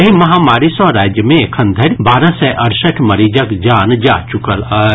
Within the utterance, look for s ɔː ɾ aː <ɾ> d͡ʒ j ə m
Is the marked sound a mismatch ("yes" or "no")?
yes